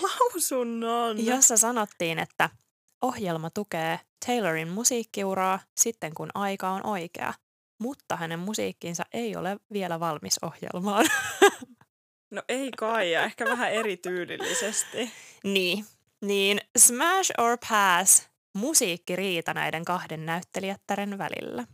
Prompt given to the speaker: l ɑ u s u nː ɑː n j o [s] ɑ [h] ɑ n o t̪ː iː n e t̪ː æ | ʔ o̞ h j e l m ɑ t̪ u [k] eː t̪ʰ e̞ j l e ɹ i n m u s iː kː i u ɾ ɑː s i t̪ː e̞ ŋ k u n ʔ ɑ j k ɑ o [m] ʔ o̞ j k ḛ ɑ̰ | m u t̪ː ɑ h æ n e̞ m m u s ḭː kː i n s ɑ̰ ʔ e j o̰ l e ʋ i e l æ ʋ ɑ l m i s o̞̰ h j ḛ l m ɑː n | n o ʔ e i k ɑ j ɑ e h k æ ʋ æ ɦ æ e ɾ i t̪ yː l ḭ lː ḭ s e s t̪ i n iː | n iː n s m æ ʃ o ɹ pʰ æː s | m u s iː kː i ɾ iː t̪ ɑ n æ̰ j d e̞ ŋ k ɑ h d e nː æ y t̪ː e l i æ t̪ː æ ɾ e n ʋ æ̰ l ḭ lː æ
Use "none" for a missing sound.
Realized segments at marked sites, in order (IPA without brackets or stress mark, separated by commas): sː, s, k, n